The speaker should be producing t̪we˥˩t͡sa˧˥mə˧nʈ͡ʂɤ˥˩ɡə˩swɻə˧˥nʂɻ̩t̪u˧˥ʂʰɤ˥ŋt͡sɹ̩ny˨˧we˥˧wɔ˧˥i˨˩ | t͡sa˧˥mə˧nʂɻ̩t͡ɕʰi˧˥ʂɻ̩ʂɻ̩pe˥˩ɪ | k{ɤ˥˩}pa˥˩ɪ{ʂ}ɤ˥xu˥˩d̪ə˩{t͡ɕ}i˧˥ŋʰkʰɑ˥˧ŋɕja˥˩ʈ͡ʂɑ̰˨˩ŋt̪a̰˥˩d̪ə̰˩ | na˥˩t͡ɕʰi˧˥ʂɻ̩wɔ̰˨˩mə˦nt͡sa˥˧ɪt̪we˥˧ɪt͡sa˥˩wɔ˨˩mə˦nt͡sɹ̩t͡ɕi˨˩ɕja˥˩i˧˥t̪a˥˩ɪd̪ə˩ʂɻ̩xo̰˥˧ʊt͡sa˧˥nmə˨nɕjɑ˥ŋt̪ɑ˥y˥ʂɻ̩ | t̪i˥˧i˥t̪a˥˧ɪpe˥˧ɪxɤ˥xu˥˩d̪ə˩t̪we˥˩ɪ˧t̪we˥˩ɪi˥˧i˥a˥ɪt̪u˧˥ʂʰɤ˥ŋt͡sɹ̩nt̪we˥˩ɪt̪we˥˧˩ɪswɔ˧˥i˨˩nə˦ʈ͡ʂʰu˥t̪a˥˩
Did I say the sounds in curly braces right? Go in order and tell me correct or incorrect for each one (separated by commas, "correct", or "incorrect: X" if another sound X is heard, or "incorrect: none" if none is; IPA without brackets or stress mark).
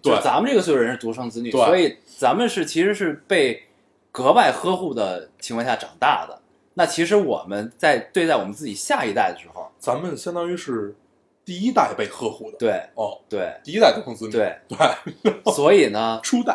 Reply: incorrect: ɤ˧˥, incorrect: x, incorrect: t͡ɕʰ